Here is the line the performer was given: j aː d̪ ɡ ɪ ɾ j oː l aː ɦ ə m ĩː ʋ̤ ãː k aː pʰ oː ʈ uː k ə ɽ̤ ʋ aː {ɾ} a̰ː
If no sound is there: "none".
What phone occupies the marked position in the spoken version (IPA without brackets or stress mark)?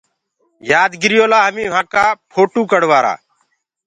ɾ